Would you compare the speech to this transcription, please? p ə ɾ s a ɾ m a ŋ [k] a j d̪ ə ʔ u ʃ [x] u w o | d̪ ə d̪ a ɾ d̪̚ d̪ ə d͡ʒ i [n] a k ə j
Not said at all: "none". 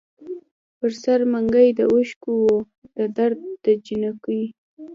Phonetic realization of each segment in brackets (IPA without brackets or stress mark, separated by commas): ɡ, k, n